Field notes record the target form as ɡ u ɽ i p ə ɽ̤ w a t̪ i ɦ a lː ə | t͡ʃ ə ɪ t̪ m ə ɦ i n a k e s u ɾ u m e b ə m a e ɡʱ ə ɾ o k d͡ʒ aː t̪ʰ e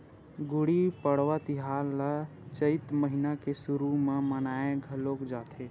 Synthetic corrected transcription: ɡ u ɽ i p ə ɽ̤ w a t̪ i ɦ a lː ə | t͡ʃ ə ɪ t̪ m ə ɦ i n a k e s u ɾ u m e m ə n a e ɡʱ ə l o k d͡ʒ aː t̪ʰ e